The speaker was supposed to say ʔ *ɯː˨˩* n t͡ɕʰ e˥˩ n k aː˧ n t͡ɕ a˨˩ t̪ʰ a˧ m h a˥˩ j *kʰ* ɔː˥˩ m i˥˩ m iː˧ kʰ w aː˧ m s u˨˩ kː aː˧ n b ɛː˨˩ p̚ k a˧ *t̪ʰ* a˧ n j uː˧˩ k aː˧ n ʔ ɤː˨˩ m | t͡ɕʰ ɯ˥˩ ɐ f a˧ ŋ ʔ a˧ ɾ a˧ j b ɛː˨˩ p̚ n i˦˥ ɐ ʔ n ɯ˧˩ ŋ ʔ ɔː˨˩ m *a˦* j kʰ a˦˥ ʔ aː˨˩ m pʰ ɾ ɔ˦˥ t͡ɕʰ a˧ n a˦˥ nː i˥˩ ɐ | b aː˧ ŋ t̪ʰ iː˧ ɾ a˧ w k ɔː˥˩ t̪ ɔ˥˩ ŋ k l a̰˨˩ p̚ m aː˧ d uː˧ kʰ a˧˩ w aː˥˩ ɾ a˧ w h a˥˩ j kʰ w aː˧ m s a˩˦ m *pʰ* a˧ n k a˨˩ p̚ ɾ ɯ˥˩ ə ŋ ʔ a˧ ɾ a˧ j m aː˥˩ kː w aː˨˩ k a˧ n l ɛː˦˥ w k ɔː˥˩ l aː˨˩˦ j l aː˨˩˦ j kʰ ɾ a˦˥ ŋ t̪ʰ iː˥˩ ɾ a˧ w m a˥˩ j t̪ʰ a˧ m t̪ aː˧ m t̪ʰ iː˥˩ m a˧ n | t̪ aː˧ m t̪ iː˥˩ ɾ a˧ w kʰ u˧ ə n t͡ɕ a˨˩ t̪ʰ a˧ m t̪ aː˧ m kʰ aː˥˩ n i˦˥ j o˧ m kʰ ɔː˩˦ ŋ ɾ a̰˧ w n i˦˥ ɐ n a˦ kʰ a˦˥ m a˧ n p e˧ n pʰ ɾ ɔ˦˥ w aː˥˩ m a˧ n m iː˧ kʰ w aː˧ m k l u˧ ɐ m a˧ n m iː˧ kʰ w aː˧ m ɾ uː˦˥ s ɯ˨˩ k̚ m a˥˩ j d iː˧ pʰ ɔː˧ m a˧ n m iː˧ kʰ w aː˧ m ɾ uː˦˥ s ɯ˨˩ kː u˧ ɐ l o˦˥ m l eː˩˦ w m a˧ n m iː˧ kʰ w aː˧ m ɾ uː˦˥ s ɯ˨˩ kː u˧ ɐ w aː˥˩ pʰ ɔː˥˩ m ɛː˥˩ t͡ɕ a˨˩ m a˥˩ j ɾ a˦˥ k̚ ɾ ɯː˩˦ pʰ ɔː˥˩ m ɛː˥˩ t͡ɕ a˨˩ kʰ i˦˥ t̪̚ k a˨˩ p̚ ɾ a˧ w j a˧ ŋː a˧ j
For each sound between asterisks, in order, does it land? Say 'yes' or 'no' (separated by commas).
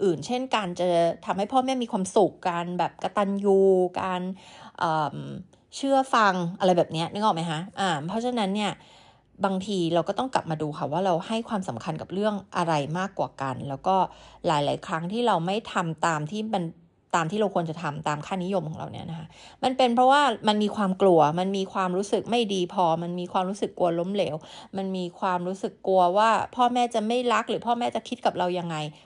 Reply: yes, no, no, yes, no